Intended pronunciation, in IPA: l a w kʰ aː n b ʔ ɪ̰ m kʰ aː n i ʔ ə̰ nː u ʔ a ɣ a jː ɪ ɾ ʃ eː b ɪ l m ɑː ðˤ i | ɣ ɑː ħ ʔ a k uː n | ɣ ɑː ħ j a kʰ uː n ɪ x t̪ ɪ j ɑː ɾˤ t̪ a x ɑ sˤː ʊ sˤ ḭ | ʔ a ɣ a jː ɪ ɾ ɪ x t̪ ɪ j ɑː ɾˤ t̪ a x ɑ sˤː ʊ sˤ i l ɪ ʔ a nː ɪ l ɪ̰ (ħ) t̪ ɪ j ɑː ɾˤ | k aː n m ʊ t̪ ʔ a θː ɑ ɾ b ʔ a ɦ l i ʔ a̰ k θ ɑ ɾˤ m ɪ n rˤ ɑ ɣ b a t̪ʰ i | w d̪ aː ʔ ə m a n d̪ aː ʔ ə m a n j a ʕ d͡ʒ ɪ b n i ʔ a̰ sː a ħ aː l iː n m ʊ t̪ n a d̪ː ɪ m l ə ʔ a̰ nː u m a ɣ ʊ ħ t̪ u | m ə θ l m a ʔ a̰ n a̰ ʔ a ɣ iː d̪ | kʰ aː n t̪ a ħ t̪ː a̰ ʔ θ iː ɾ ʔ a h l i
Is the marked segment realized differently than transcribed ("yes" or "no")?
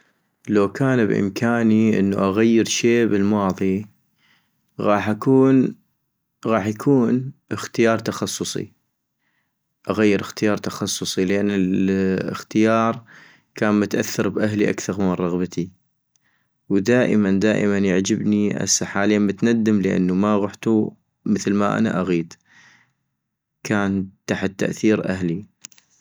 yes